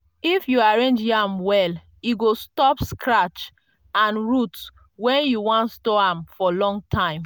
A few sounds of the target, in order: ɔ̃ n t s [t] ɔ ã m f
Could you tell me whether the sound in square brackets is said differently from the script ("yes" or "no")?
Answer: no